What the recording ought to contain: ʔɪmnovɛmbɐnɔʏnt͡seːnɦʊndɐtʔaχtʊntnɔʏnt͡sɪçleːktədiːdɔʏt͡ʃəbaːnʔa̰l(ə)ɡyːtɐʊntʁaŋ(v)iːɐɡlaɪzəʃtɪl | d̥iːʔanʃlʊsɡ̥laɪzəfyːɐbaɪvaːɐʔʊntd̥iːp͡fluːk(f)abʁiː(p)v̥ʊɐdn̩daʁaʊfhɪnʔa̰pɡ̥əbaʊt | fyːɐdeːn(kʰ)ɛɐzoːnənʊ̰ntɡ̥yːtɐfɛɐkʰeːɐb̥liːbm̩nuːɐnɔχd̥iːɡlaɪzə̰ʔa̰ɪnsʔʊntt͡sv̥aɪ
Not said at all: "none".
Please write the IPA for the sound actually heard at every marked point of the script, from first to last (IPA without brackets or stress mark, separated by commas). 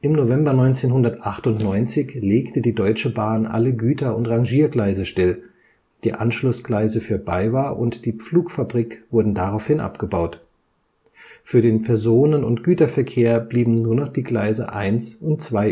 ə, ʒ, f, k, pʰ